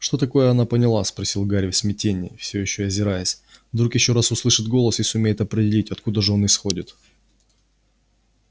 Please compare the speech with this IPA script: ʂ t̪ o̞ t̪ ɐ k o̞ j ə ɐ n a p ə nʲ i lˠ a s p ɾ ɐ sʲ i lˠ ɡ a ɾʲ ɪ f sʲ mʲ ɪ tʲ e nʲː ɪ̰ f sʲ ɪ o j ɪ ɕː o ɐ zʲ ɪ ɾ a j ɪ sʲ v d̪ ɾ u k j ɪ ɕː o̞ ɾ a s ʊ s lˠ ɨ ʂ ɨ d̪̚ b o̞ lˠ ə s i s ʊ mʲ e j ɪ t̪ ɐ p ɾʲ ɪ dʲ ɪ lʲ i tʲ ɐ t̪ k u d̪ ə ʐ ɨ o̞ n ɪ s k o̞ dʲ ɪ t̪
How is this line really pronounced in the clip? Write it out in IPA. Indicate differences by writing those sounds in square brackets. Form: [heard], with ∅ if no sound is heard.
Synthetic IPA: ʂ t̪ o̞ t̪ ɐ k o̞ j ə ɐ n a p ə nʲ [ɪ] lˠ a s p ɾ ɐ sʲ i lˠ ɡ a ɾʲ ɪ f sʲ mʲ ɪ tʲ e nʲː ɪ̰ f sʲ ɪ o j ɪ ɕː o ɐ zʲ ɪ ɾ a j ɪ sʲ v d̪ ɾ u k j ɪ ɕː o̞ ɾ a s ʊ s lˠ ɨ ʂ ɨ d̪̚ [ɡ] o̞ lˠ ə s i s ʊ mʲ e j ɪ t̪ ɐ p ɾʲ ɪ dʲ ɪ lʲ i tʲ ɐ t̪ k u d̪ ə ʐ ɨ o̞ n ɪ s [x] o̞ dʲ ɪ t̪